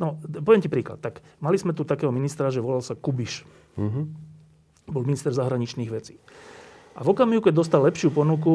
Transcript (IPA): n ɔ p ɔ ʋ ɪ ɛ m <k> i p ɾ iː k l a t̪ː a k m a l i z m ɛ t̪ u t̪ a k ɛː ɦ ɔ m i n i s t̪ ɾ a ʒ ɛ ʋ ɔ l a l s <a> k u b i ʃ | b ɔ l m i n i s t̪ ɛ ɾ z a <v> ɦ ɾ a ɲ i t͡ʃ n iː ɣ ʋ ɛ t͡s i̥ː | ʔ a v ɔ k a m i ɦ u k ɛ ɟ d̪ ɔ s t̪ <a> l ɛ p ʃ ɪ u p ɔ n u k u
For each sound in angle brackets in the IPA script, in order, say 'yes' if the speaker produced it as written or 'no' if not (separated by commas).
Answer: no, yes, no, yes